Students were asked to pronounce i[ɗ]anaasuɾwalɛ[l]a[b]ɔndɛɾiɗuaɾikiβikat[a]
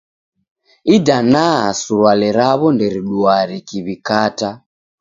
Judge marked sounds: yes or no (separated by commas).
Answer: no, no, no, yes